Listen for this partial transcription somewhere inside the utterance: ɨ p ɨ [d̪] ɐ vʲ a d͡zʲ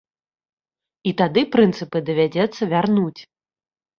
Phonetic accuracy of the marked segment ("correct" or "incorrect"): correct